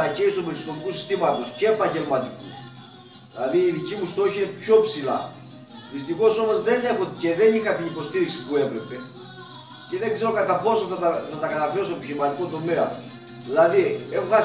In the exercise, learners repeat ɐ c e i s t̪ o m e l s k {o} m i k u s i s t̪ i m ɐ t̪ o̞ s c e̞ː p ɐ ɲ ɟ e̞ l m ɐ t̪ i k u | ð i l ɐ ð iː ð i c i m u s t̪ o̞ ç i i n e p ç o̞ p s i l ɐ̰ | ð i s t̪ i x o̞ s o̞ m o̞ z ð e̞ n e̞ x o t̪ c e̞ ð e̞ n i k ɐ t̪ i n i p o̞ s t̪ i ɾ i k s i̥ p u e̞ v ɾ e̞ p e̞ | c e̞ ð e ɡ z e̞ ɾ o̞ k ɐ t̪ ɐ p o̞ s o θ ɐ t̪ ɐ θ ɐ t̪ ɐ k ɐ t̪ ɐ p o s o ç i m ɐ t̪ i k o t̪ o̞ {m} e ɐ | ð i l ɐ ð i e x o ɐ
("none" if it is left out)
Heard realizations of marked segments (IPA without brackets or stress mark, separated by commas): o, m